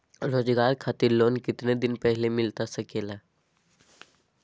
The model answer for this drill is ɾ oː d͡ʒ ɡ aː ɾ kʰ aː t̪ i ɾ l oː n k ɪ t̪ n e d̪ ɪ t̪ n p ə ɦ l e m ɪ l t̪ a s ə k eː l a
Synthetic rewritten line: ɾ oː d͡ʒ ɡ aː ɾ kʰ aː t̪ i ɾ l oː n k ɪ t̪ n e d̪ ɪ n p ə ɦ l e m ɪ l t̪ a s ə k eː l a